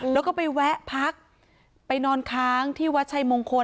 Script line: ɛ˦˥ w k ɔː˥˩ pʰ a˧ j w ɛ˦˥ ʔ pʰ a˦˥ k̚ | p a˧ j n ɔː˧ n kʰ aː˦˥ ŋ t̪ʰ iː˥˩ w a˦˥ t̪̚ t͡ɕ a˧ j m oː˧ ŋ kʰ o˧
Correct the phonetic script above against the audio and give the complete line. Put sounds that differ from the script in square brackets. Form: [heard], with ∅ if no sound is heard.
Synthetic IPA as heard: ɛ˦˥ w k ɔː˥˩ [p] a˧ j w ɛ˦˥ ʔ pʰ a˦˥ k̚ | p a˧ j n ɔː˧ n kʰ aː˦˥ ŋ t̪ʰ iː˥˩ w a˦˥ t̪̚ [t͡ɕʰ] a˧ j m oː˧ ŋ kʰ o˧